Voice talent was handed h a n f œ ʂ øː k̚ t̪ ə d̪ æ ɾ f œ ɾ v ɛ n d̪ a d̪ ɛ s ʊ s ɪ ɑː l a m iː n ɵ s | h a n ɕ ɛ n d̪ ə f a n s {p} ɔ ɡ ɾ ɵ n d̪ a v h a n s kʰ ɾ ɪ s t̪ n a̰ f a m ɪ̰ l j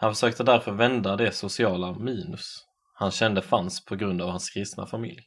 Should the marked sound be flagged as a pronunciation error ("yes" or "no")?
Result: yes